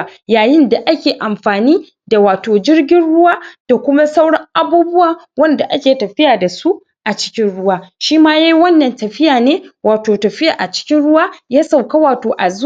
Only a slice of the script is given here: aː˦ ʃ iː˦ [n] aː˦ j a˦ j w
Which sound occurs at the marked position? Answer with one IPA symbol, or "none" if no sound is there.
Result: m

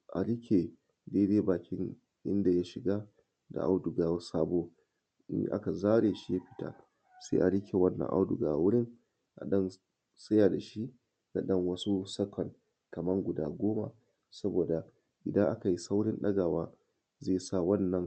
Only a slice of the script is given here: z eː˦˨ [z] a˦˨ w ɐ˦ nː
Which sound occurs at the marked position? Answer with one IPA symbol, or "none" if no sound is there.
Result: s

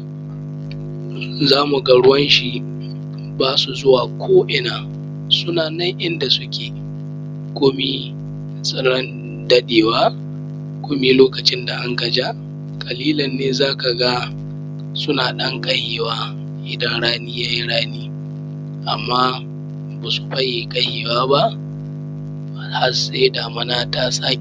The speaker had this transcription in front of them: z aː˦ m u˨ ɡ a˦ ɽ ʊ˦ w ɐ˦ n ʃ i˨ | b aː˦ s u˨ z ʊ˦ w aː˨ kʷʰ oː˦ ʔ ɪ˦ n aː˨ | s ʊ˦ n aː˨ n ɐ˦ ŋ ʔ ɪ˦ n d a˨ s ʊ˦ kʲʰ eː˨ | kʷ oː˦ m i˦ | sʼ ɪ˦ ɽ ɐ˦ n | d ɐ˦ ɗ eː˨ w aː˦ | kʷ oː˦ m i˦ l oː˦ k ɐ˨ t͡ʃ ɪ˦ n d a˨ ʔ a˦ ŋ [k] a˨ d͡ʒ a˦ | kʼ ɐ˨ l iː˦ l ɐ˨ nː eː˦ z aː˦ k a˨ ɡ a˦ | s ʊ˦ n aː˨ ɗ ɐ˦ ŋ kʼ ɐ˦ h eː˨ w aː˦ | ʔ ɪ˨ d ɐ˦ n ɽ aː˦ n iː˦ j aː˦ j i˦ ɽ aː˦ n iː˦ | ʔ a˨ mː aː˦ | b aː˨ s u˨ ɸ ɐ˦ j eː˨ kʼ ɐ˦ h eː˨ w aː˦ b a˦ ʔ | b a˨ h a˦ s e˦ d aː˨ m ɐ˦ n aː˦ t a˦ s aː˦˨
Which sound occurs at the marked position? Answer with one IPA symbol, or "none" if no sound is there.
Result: k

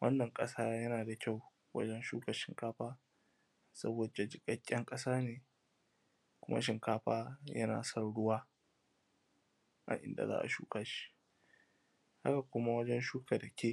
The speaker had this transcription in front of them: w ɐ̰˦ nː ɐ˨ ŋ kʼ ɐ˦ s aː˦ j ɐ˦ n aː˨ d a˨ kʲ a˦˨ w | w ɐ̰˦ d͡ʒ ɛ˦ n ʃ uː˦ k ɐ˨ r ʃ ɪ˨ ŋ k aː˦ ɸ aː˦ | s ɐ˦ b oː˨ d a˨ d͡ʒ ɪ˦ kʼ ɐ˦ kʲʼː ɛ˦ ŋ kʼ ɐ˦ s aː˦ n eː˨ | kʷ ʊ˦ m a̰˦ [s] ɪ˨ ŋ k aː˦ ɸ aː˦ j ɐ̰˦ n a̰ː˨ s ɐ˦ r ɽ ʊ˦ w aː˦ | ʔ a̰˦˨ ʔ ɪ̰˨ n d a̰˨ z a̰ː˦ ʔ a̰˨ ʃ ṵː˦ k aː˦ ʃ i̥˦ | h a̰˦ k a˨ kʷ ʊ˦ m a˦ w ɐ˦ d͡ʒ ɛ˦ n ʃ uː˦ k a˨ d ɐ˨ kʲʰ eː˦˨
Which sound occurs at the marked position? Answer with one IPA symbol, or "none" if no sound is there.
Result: ʃ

